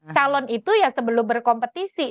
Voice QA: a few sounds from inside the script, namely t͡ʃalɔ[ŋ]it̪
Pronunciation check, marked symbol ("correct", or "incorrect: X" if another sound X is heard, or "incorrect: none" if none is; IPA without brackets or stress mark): incorrect: n